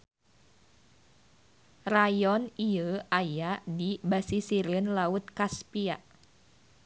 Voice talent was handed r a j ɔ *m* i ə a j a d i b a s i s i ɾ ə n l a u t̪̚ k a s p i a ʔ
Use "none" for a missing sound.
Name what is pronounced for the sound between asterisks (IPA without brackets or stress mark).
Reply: n